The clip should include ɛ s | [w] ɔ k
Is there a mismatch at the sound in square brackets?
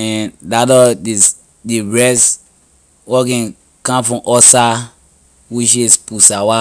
no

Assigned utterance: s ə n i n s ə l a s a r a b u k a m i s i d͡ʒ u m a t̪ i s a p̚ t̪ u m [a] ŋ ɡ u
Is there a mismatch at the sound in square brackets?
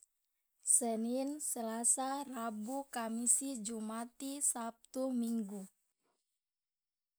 yes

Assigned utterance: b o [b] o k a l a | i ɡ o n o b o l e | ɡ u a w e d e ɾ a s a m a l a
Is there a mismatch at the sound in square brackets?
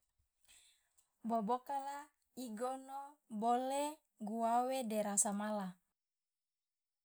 no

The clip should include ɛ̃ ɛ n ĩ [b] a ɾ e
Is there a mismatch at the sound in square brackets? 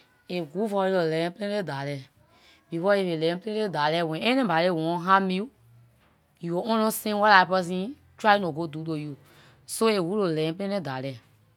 no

